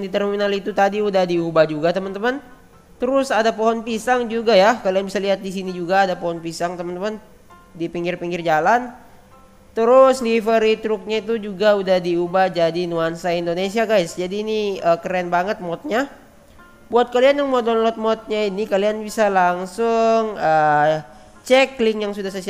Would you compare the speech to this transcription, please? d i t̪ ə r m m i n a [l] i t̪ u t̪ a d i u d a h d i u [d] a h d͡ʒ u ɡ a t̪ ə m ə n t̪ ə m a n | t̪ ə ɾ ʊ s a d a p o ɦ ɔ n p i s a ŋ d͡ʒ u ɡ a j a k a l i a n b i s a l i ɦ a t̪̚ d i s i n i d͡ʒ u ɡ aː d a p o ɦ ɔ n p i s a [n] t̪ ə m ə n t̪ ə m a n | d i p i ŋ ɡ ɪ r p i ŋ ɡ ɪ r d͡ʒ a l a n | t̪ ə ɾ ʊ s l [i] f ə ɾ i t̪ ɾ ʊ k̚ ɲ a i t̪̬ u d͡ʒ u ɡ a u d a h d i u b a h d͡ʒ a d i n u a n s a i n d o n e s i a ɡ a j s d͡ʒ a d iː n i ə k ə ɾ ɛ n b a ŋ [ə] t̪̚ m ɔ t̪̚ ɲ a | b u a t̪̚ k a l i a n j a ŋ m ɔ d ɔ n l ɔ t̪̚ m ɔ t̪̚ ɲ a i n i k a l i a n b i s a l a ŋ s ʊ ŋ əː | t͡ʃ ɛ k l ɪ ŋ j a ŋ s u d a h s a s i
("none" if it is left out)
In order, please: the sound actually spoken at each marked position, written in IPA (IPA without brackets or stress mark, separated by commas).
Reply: l, b, ŋ, i, ə